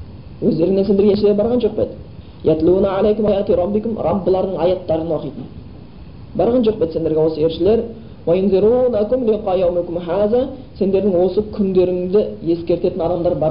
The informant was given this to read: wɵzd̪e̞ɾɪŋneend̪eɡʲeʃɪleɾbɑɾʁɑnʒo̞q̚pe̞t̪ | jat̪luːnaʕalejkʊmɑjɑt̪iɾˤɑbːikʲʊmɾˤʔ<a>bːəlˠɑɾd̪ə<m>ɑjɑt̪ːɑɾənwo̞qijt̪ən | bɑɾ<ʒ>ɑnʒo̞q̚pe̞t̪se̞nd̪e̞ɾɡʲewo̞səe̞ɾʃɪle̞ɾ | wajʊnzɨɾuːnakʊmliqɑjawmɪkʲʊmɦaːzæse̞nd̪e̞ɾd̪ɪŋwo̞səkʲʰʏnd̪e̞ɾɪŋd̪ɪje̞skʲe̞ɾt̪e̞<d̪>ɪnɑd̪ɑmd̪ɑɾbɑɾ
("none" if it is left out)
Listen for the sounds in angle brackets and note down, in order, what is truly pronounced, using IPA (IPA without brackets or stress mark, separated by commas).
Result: ɑ, ɴ, ʁ, t̪